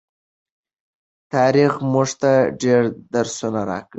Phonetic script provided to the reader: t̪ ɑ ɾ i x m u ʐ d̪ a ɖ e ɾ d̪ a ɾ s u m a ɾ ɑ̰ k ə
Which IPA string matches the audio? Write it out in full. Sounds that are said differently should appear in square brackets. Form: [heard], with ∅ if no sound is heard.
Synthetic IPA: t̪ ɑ ɾ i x m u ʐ [t̪] a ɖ e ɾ d̪ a ɾ s u [n] a ɾ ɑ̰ k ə